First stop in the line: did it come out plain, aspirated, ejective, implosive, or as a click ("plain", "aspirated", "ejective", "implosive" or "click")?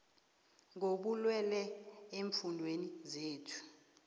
implosive